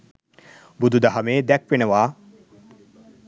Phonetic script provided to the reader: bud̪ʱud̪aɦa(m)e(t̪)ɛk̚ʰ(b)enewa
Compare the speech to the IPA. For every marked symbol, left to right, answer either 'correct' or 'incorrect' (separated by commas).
correct, incorrect, incorrect